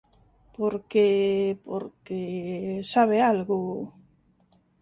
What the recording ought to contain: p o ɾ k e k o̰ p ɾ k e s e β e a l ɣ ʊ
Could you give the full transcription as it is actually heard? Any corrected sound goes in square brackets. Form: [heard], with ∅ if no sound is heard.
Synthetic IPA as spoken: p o ɾ k e [p] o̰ [∅] ɾ k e s [a] β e a l ɣ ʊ